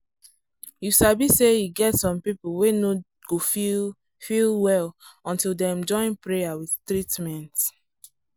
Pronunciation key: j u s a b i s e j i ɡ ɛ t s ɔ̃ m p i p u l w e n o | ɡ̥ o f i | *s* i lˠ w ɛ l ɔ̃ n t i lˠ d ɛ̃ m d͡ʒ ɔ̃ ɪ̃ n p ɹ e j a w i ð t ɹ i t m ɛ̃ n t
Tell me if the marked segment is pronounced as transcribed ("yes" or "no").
no